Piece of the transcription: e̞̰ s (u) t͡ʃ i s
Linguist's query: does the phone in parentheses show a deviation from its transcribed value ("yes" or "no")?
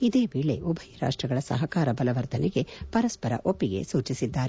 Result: yes